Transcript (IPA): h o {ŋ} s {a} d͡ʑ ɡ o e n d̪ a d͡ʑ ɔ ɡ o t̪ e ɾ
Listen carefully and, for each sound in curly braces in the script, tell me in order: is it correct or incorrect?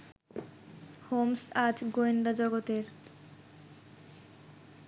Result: incorrect, correct

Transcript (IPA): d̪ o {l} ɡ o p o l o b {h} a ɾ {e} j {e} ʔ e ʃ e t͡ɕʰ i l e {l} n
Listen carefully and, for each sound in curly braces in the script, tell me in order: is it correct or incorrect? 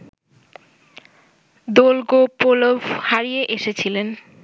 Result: correct, correct, incorrect, correct, incorrect

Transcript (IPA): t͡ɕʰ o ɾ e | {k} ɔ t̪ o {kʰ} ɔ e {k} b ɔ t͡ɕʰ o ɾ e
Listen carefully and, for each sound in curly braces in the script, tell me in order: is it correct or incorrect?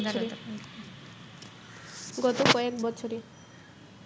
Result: incorrect, incorrect, correct

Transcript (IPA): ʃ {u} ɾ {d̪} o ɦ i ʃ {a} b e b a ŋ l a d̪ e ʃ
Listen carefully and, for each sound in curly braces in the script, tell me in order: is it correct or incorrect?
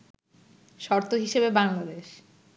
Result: incorrect, incorrect, incorrect

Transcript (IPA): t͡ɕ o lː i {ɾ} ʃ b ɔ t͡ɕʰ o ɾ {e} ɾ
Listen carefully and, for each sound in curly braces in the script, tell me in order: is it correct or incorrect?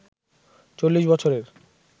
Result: incorrect, correct

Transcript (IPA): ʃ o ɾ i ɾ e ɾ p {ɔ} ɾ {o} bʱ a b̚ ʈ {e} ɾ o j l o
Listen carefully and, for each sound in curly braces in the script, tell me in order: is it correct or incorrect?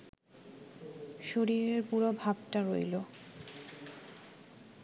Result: incorrect, correct, incorrect

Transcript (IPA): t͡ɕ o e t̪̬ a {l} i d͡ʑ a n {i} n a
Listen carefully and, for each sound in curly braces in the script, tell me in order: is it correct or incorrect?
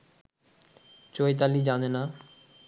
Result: correct, incorrect

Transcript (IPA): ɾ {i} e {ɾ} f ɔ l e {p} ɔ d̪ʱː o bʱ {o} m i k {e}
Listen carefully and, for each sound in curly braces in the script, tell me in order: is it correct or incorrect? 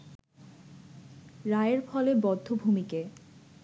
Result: incorrect, correct, incorrect, incorrect, correct

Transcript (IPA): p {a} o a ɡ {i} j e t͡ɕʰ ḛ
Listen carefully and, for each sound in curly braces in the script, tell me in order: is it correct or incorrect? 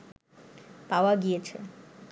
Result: correct, correct

